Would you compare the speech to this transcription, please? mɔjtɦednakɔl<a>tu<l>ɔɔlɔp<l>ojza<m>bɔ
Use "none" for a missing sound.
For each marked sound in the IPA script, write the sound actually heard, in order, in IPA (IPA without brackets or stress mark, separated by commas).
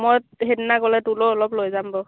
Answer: ɛ, l, l, m